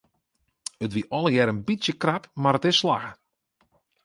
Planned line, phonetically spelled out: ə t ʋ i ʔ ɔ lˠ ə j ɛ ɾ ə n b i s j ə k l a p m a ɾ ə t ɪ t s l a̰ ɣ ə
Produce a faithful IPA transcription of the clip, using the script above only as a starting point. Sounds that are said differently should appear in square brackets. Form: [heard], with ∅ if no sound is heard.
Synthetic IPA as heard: ə t ʋ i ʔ ɔ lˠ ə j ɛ ɾ ə n b i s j ə k [r] a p m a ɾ ə t ɪ [s] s l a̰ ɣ ə

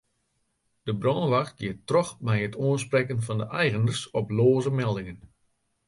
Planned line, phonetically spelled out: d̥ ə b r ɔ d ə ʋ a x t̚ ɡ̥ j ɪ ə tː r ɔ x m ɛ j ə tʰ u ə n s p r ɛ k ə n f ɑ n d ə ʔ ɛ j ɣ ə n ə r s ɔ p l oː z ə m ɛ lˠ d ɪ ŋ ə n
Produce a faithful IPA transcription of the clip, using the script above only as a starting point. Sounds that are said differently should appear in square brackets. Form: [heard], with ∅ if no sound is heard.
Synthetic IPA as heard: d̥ ə b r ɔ [n] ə ʋ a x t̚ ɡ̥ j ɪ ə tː r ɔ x m ɛ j ə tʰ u ə n s p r ɛ k ə n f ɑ n d ə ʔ ɛ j ɣ ə n ə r s ɔ p l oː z ə m ɛ lˠ d ɪ ŋ ə n

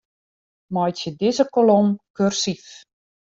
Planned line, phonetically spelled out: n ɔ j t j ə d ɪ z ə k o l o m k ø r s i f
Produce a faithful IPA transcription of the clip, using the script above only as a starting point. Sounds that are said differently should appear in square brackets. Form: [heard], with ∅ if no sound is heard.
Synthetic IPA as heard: [m] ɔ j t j ə d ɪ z ə k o l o m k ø r s i f

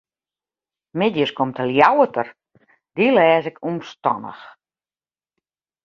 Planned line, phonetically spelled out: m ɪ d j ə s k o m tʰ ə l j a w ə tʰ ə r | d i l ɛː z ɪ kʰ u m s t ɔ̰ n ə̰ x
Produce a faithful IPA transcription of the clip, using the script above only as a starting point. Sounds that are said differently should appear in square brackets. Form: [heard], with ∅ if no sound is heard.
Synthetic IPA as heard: m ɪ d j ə s k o m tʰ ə l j a w ə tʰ ə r | d i l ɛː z ɪ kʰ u m s t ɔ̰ n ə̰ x

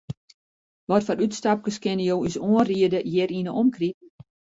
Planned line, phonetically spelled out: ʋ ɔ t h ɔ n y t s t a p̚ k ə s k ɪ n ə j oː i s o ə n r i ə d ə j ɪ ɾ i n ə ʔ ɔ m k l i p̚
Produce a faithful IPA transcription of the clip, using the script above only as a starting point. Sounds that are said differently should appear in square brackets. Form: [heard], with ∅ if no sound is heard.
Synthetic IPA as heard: ʋ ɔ t [f] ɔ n y t s t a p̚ k ə s k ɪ n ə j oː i s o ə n r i ə d ə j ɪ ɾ i n ə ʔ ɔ m k [r] i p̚

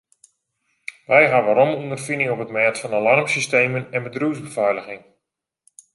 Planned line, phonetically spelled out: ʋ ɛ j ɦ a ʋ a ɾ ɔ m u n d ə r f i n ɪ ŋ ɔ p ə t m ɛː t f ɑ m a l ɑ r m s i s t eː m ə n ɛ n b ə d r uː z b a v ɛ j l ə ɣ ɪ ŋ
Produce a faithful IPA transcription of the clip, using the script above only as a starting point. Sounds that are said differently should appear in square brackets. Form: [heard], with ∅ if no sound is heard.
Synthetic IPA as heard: ʋ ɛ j ɦ a ʋ a ɾ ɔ m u n d ə r f i n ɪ ŋ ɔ p ə t m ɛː t f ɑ [n] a l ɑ r m s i s t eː m ə n ɛ n b ə d r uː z b [ə] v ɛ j l ə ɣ ɪ ŋ

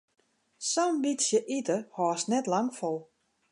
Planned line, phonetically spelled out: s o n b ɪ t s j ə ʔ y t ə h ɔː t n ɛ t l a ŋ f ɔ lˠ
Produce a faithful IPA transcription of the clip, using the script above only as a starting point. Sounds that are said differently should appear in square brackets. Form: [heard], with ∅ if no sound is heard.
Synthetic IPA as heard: s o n b [i] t s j ə ʔ [i] t ə h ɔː [s] n ɛ t l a ŋ f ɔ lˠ

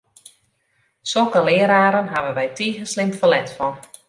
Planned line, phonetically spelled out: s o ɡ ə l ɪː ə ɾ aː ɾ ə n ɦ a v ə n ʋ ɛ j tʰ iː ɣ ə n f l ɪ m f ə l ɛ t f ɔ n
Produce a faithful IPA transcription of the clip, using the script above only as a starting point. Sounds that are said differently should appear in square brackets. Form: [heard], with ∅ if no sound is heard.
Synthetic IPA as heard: s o [k] ə l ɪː ə ɾ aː ɾ ə n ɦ a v ə n ʋ ɛ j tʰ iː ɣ ə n [s] l ɪ m f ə l ɛ t f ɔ n

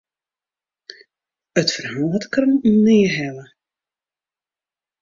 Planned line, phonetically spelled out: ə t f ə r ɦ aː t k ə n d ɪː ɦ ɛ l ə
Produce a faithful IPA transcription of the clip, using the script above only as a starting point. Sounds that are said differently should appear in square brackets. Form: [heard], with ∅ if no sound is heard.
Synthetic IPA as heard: ə t f ə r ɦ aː t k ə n [n] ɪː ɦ ɛ l ə

